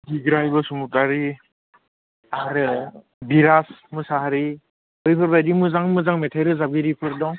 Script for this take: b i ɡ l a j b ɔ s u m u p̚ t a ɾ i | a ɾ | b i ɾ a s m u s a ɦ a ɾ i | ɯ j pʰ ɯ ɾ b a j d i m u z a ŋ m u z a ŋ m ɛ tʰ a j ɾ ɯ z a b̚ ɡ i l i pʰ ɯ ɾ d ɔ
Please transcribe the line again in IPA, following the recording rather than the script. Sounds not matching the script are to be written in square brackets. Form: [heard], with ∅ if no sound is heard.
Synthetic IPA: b i ɡ [ɾ] a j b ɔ s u m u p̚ t a ɾ i | a ɾ | b i ɾ a s m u s a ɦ a ɾ i | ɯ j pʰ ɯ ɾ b a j d i m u z a ŋ m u z a ŋ m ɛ tʰ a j ɾ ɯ z a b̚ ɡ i [ɾ] i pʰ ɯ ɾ d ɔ